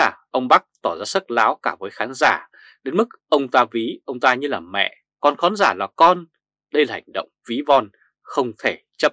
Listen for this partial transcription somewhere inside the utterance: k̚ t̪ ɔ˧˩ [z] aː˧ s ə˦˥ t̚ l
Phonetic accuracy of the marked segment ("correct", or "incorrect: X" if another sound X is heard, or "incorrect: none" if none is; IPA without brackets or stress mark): correct